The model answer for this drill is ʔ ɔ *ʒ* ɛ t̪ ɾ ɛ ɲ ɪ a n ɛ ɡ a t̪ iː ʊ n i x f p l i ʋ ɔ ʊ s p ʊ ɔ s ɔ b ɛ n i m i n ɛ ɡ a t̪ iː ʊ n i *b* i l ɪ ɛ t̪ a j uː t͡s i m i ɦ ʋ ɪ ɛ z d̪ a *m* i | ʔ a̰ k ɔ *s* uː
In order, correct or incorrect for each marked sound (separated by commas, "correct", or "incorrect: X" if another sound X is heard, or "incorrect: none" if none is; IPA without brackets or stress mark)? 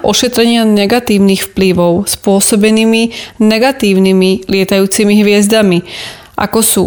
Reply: incorrect: ʃ, incorrect: m, correct, correct